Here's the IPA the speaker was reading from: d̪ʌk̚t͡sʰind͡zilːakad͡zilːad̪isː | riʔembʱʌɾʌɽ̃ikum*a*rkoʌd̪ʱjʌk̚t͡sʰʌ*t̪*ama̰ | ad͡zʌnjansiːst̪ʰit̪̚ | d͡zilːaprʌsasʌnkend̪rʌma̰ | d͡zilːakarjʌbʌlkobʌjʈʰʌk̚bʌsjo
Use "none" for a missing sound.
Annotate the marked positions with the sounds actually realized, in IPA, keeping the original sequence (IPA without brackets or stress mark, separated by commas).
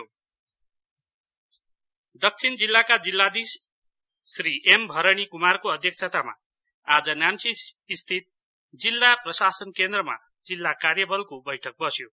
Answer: a, t̪